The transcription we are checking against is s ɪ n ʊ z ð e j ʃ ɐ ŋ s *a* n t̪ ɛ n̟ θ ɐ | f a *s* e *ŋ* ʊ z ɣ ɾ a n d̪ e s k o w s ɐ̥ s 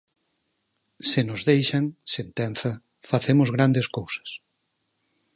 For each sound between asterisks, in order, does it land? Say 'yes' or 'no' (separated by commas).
no, no, no